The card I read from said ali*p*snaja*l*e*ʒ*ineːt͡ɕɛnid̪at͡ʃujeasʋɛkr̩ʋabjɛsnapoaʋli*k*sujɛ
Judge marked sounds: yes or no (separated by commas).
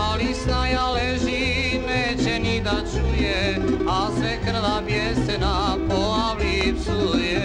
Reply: no, yes, yes, no